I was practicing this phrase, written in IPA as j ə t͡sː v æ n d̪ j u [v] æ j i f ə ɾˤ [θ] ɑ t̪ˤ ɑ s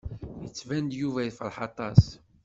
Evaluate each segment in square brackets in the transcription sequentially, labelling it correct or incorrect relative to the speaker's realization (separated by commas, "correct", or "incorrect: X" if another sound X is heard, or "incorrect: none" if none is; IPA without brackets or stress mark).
correct, incorrect: ħ